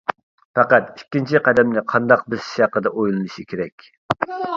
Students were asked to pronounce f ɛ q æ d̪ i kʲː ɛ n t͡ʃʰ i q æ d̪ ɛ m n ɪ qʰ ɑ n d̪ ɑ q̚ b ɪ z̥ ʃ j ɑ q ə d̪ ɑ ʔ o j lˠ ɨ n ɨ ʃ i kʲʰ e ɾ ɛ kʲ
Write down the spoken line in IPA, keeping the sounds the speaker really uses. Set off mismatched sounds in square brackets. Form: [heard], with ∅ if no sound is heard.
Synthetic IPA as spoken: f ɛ q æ [t̪] i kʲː [i] n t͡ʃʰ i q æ d̪ ɛ m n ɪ qʰ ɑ n d̪ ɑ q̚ b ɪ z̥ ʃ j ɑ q ə d̪ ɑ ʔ o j lˠ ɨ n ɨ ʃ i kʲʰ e ɾ ɛ kʲ